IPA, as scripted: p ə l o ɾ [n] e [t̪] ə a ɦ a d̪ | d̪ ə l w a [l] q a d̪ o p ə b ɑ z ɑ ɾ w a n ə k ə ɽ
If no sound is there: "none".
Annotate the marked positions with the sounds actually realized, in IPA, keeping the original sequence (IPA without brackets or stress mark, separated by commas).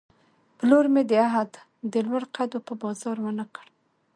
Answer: m, d̪, ɽ